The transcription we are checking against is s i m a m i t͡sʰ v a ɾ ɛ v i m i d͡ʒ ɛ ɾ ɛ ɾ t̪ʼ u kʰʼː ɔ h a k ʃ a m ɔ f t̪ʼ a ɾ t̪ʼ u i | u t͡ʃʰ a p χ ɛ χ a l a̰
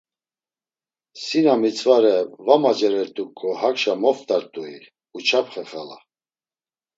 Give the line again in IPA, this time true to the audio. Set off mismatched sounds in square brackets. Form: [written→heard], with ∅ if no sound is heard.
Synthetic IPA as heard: s i [m→n] a m i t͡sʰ v a ɾ ɛ v [i→a] m [i→a] d͡ʒ ɛ ɾ ɛ ɾ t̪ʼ u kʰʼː ɔ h a k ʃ a m ɔ f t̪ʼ a ɾ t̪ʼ u i | u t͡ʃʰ a p χ ɛ χ a l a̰